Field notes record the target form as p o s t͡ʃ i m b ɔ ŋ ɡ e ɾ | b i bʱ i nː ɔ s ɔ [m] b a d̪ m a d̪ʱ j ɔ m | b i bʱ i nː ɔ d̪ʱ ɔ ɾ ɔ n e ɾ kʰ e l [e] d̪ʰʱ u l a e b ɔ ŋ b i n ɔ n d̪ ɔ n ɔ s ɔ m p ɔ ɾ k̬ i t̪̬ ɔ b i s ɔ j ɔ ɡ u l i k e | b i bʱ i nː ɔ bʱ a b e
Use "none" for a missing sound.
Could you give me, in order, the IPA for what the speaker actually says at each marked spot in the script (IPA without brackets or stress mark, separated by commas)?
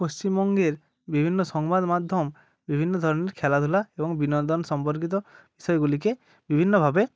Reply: ŋ, a